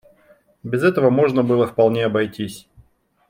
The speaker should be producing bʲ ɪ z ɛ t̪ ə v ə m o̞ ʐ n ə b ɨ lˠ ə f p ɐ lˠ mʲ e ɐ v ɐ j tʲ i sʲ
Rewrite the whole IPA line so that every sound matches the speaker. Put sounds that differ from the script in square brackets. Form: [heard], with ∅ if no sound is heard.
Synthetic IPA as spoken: bʲ ɪ z ɛ t̪ ə v ə m o̞ ʐ n ə b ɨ lˠ ə f p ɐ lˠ [nʲ] e ɐ [b] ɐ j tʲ i sʲ